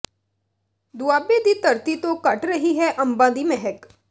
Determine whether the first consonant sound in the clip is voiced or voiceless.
voiced